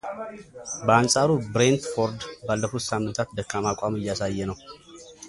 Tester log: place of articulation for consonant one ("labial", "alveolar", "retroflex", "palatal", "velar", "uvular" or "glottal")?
labial